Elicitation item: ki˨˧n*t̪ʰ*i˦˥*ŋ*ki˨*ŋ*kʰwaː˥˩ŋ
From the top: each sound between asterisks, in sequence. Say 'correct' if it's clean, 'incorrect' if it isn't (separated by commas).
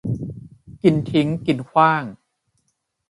correct, correct, incorrect